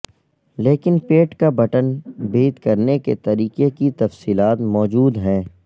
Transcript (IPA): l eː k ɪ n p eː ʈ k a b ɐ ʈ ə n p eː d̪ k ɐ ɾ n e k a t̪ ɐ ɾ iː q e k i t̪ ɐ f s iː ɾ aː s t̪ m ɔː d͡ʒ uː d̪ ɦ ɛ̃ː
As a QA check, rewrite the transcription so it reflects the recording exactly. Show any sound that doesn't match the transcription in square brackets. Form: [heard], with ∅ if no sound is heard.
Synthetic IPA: l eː k ɪ n p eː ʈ k a b ɐ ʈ ə n [b] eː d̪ k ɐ ɾ n e k [e] t̪ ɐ ɾ iː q e k i t̪ ɐ f s iː [l] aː [∅] t̪ m ɔː d͡ʒ uː d̪ ɦ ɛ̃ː